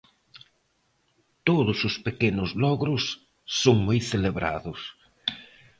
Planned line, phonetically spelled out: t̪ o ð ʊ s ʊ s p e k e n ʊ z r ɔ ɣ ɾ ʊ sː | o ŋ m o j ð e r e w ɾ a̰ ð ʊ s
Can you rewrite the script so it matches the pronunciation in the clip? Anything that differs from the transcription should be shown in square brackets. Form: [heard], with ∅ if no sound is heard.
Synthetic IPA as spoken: t̪ o ð ʊ s ʊ s p e k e n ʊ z [l] ɔ ɣ ɾ ʊ sː | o ŋ m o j [θ] e [l] e [β] ɾ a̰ ð ʊ s